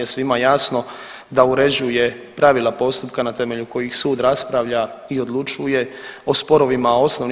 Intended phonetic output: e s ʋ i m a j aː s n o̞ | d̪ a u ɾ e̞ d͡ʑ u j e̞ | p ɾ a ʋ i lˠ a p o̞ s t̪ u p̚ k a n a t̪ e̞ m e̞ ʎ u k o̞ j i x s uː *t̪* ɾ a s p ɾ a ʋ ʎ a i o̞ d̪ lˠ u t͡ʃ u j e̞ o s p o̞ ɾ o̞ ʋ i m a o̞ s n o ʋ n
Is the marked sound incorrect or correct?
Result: incorrect